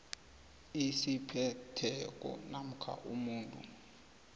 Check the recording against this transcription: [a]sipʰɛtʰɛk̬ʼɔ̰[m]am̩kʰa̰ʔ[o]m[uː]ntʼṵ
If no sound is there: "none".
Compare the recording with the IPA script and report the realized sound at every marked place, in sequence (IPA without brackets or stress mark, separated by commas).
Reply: i, n, u, uː